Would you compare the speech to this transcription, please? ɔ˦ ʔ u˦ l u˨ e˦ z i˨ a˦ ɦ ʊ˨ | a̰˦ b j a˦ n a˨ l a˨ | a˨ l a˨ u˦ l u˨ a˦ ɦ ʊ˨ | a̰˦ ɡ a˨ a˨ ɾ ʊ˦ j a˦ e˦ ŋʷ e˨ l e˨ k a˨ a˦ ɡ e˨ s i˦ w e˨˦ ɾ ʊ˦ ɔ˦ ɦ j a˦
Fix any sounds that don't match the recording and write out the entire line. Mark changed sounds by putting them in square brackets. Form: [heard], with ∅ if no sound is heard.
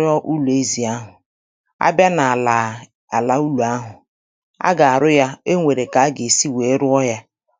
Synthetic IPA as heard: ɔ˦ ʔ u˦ l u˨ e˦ z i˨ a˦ ɦ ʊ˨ | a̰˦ b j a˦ n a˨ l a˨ | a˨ l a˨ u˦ l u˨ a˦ ɦ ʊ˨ | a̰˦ ɡ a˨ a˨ ɾ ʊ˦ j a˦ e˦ ŋʷ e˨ [ɾ] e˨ k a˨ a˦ ɡ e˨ s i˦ w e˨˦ ɾ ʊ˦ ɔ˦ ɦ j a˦